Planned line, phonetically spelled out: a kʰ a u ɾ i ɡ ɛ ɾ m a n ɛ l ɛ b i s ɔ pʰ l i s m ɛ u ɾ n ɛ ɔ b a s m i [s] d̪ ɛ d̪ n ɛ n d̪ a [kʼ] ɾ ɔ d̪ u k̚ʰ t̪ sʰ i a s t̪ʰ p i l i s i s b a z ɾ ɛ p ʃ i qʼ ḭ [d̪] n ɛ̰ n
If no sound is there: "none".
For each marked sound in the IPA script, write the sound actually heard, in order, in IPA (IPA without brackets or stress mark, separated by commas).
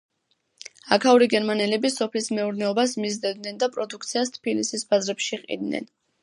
z, pʼ, d̪